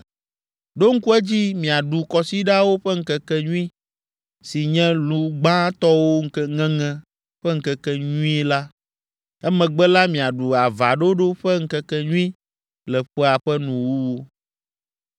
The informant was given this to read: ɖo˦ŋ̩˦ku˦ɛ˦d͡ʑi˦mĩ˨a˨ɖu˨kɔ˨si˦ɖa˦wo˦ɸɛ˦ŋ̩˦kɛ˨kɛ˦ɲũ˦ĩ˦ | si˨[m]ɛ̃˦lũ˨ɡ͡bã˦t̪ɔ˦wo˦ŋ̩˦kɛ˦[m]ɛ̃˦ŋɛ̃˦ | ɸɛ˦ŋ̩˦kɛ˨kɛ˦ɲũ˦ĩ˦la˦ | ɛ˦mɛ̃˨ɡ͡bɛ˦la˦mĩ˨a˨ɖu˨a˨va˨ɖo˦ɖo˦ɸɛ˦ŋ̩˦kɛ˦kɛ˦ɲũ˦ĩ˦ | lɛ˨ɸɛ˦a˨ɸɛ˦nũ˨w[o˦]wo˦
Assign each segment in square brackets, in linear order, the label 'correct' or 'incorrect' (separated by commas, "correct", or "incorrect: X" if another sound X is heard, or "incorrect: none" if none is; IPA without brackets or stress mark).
incorrect: ɲ, incorrect: ŋ, incorrect: u˦